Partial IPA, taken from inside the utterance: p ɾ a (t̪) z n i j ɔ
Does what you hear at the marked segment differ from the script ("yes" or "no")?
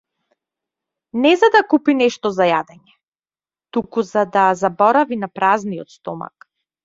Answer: yes